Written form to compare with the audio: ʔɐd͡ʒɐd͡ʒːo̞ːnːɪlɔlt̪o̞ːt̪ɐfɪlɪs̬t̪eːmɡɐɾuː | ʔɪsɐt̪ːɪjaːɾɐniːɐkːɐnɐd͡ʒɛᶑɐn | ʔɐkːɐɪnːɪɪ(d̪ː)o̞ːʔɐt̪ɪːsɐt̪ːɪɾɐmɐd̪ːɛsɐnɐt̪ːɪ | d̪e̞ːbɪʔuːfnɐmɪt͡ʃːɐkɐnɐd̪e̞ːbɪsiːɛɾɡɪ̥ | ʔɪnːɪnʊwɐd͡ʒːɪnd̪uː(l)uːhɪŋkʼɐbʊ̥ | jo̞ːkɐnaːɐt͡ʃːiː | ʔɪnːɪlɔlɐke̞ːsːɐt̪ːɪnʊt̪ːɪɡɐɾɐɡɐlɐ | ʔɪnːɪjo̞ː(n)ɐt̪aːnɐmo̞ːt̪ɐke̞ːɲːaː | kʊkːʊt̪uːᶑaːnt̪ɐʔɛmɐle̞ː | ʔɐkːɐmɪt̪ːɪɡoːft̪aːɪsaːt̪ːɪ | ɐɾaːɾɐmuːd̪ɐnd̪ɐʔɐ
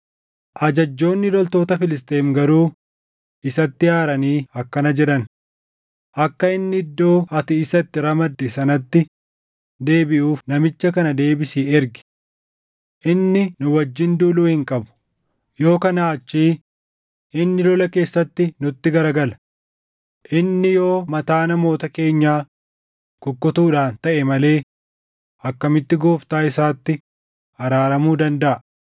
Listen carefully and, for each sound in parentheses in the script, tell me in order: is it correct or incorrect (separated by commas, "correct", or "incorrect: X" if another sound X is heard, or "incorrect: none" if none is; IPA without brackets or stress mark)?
correct, correct, incorrect: m